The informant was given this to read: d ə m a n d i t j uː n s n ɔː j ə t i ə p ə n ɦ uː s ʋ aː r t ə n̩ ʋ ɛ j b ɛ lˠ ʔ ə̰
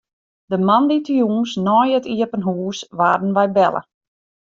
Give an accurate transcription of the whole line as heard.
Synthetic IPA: d ə m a n d i t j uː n s n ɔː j ə t i ə p ə n ɦ uː s ʋ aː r d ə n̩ ʋ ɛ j b ɛ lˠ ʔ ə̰

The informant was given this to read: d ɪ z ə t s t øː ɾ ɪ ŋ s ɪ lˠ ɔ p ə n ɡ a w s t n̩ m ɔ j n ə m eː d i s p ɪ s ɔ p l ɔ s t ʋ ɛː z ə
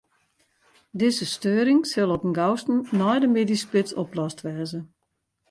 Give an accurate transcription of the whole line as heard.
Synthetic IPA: d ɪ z ə s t øː ɾ ɪ ŋ s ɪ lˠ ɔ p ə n ɡ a w s t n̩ n ɔ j d ə m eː d i s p ɪ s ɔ p l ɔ s t ʋ ɛː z ə

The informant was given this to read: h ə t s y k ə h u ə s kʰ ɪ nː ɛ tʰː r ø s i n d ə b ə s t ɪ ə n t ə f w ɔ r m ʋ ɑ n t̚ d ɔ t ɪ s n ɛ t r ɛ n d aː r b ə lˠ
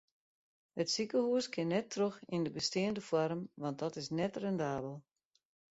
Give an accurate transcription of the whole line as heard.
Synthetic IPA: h ə t s i k ə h u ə s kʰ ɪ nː ɛ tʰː r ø x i n d ə b ə s t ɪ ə n d ə f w ɔ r m ʋ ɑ n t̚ d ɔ t ɪ s n ɛ t r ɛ n d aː b ə lˠ

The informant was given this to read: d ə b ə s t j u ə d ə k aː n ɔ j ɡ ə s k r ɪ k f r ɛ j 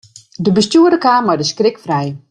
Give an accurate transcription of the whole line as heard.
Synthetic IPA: d ə b ə s t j u ə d ə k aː m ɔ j d ə s k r ɪ k f r ɛ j

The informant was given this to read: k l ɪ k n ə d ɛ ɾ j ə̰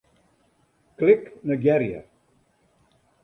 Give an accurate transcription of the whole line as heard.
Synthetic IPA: k l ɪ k n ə ɡ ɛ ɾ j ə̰

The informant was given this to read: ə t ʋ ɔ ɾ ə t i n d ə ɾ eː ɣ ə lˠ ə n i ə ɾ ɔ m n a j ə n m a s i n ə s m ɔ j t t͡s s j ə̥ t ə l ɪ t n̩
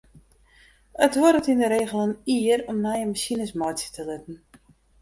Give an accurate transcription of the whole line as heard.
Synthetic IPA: ə t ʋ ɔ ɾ ə t i n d ə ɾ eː ɣ ə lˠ ə n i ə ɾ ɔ m n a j ə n m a s i n ə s m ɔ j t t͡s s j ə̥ t ə l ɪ t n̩

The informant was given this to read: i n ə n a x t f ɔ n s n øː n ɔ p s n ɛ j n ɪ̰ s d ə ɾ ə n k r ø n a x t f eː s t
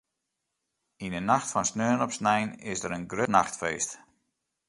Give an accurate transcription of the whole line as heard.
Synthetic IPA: i n ə n a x t f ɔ n s n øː n ɔ p s n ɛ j n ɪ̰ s d ə ɾ ə n ɡ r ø n a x t f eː s t

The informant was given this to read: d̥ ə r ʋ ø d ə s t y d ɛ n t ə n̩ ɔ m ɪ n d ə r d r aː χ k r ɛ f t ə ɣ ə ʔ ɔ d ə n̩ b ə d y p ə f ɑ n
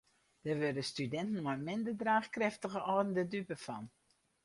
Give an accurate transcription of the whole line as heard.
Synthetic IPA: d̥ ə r ʋ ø d ə s t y d ɛ n t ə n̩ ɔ m ɪ n d ə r d r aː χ k r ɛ f t ə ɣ ə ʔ ɔ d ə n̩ d ə d y p ə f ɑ n

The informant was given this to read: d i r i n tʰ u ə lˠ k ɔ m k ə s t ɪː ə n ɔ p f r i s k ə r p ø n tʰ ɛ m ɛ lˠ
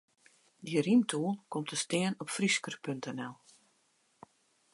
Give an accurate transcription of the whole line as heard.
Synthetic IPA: d i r i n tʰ u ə lˠ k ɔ m t ə s t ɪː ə n ɔ p f r i s k ə r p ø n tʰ ɛ n ɛ lˠ

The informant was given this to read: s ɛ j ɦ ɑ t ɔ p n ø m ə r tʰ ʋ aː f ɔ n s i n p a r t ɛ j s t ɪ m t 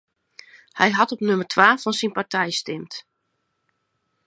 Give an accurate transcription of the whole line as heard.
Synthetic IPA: h ɛ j ɦ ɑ t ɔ p n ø m ə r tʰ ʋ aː f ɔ n s i n p a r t ɛ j s t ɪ m t

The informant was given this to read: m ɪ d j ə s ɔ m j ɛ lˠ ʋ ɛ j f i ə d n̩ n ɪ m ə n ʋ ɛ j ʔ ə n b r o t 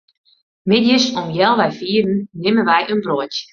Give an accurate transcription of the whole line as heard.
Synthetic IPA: m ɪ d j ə s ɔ m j ɛ lˠ ʋ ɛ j f i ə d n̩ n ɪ m ə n ʋ ɛ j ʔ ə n b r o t

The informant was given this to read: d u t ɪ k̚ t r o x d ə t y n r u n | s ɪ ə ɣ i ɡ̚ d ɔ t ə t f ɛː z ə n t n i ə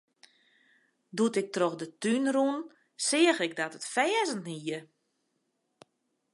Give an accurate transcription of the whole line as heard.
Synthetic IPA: d u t ɪ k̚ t r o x d ə t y n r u n | s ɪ ə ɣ ɪ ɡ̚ d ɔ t ə t f ɛː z ə n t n i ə

